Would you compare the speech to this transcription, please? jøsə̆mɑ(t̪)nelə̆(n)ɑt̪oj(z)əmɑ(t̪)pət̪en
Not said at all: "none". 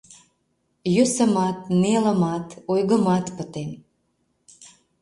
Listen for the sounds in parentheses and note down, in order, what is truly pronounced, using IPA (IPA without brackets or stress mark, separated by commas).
t̪, m, ɣ, t̪